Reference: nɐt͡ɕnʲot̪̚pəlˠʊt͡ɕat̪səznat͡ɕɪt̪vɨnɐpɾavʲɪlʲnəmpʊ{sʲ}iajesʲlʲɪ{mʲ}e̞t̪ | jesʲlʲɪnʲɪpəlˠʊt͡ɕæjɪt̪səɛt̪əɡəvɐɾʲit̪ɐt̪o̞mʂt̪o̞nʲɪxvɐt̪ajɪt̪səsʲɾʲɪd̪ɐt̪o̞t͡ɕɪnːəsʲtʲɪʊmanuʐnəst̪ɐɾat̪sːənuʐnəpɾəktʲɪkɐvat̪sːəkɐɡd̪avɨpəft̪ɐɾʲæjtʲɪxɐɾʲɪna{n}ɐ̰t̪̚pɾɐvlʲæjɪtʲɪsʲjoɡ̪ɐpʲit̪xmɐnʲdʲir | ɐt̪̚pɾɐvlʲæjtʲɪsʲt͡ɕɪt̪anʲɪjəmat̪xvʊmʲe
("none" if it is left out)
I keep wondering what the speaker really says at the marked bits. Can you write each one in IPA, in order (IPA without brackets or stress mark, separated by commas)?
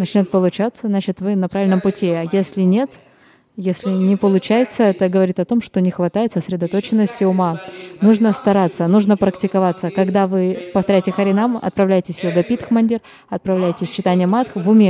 tʲ, nʲ, m